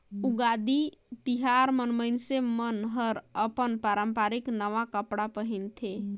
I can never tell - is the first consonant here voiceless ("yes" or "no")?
no